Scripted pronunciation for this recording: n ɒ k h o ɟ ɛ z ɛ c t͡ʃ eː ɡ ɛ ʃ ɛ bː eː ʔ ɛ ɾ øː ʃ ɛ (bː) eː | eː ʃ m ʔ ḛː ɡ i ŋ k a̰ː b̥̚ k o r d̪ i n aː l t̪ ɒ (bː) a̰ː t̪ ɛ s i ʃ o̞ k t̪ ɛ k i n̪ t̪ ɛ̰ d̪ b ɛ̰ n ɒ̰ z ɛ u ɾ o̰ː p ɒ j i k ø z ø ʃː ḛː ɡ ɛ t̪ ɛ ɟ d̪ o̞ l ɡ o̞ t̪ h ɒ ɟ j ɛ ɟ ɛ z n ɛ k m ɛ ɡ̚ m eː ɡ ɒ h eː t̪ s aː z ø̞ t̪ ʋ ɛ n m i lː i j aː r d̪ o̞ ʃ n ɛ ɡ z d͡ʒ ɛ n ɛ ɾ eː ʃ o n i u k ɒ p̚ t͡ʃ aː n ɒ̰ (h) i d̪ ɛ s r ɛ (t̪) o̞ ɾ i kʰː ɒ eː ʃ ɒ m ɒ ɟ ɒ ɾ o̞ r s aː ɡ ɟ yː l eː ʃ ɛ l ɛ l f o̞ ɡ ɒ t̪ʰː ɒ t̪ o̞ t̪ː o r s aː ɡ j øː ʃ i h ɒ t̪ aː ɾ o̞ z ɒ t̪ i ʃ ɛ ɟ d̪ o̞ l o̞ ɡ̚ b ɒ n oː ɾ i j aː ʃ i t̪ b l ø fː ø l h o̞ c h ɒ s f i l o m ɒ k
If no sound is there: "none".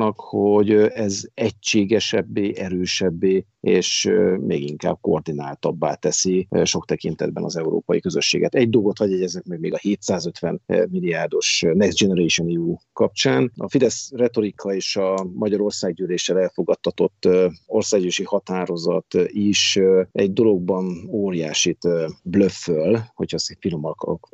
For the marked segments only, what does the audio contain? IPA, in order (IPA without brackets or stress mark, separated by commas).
bː, bː, f, t̪